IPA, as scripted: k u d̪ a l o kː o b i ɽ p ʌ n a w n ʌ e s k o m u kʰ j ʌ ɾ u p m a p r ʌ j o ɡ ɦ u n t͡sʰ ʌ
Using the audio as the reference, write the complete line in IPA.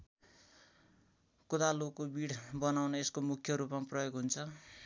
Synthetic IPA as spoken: k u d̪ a l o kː o b i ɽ b ʌ n a w n ʌ e s k o m u kʰ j ʌ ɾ u p m a p r ʌ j o ɡ ɦ u n t͡sʰ ʌ